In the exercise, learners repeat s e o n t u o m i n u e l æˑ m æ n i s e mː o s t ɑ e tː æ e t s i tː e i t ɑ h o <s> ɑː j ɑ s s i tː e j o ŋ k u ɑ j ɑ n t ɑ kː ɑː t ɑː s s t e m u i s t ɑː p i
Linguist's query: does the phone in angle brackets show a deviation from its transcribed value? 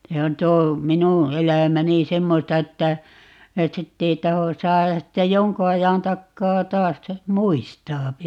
no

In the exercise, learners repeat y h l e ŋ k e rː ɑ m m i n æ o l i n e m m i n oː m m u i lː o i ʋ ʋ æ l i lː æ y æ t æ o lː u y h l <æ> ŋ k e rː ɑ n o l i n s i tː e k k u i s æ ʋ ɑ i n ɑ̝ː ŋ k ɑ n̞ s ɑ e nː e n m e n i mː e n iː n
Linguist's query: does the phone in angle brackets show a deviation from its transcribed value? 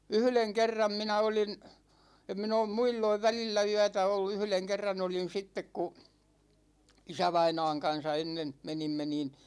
yes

